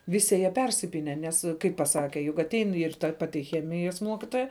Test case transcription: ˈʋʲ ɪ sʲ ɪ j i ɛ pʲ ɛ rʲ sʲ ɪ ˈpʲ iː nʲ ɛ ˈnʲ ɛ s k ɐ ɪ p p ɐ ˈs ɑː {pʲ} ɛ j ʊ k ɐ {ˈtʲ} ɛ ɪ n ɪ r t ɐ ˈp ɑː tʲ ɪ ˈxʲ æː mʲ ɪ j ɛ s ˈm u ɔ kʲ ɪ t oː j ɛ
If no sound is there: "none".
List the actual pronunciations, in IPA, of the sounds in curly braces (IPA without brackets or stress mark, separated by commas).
kʲ, tʲ